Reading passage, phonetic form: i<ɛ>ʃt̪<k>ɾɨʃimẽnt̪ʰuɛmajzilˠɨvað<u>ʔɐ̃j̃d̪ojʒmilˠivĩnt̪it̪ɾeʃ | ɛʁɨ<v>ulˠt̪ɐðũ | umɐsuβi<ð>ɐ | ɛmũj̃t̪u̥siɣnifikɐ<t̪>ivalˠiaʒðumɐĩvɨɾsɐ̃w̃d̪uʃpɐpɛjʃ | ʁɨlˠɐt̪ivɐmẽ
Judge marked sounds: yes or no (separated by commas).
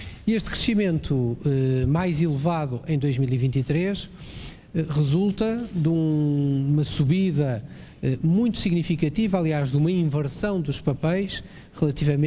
no, yes, yes, no, yes, yes